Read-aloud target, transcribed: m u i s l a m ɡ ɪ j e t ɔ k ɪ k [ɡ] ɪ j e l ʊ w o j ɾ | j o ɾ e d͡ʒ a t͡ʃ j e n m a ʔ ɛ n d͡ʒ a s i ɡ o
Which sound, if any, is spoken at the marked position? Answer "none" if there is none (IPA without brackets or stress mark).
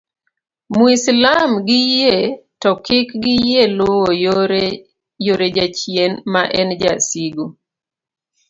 ɡ